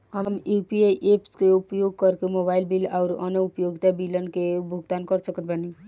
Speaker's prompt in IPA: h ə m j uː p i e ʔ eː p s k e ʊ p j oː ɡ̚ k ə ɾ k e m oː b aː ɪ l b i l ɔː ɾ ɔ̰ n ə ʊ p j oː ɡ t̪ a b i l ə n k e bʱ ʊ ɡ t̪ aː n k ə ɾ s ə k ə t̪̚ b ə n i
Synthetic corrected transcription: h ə m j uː p i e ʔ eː p s k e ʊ p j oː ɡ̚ k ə ɾ k e m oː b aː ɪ l b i l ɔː ɾ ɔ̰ n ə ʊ p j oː ɡ t̪ a b i l ə n k e bʱ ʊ ɡ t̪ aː n k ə ɾ s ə k ə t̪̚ b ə n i